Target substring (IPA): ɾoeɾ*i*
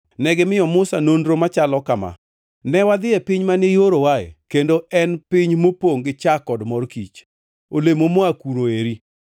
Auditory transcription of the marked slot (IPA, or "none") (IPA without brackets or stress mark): i